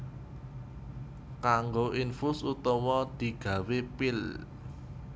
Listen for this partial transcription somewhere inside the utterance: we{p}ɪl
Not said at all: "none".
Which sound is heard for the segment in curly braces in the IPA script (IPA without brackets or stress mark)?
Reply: p